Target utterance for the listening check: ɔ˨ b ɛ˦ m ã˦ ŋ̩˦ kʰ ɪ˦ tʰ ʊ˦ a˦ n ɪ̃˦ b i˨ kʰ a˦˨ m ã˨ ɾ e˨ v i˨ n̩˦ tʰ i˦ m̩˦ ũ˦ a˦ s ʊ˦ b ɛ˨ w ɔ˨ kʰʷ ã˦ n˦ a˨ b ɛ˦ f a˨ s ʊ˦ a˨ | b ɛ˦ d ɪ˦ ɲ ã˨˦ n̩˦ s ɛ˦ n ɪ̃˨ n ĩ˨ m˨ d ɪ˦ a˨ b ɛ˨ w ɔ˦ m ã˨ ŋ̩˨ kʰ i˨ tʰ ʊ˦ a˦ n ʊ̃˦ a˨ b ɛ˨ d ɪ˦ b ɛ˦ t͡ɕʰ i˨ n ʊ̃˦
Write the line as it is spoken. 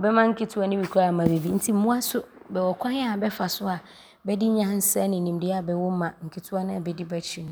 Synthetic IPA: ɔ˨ b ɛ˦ m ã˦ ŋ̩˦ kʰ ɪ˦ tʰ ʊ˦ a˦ n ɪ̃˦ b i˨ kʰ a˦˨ m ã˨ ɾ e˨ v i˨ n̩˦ tʰ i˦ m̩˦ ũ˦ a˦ s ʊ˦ b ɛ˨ w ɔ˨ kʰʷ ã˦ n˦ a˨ b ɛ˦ f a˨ s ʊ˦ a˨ | b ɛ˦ d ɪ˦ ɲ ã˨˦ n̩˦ s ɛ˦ n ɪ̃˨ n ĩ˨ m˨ d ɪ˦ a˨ b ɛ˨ w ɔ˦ m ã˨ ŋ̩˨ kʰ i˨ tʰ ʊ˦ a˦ n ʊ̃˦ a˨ b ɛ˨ d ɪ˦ b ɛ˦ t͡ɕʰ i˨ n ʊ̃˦

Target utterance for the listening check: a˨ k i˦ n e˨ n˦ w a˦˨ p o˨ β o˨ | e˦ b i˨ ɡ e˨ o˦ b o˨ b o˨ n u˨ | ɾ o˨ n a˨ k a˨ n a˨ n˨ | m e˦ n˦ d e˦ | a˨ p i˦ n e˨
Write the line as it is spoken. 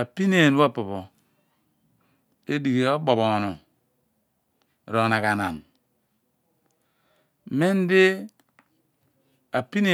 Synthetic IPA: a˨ p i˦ n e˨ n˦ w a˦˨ p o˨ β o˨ | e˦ d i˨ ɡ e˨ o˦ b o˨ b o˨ n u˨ | ɾ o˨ n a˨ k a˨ n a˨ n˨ | m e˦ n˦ d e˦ | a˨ p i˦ n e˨

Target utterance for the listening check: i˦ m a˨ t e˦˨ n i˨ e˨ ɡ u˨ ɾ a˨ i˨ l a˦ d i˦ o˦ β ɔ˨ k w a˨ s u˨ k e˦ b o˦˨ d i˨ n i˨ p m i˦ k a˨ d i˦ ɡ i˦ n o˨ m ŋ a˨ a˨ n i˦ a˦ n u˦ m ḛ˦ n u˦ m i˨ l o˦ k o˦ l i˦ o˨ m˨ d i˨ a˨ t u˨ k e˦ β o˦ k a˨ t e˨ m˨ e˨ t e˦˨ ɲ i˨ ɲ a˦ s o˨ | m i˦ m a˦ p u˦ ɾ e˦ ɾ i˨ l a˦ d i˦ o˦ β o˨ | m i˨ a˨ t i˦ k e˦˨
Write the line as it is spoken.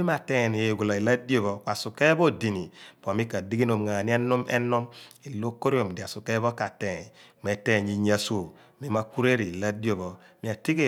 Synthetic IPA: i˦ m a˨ t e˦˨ n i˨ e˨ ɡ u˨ l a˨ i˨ l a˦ d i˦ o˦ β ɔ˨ k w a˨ s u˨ k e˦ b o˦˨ d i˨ n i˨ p m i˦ k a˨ d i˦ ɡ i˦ n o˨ m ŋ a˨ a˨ n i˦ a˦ n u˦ m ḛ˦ n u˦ m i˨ l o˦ k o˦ ɾ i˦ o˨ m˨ d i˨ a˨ s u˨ k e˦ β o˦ k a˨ t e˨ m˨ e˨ t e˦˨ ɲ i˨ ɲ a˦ s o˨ | m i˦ m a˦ k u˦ ɾ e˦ ɾ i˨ l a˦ d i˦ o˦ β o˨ | m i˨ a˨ t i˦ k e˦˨

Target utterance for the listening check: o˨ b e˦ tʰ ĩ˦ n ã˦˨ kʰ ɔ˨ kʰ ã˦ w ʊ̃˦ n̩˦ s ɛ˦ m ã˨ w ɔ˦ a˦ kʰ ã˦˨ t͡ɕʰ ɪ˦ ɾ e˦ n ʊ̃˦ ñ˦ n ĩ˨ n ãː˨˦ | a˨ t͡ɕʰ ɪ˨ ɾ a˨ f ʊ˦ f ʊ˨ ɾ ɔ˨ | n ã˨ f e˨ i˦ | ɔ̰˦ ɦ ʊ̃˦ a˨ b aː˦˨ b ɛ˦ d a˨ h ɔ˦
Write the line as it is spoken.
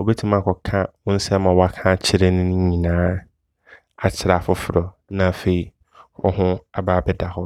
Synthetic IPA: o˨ b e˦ tʰ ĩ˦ m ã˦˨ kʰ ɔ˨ kʰ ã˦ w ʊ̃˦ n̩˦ s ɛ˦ m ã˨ w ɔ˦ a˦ kʰ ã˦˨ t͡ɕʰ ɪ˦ ɾ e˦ n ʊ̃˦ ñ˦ ɲ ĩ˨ n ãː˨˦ | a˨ t͡ɕʰ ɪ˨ ɾ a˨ f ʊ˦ f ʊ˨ ɾ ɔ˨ | n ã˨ f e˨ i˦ | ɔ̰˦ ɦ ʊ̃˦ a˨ b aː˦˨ b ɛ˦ d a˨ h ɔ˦

